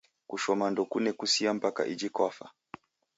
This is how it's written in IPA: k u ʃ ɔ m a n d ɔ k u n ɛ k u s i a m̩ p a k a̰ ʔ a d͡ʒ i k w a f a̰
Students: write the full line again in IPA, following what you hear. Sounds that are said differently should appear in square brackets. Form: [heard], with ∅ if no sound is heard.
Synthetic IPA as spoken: k u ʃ ɔ m a n d ɔ k u n ɛ k u s i a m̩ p a k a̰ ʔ [i] d͡ʒ i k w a f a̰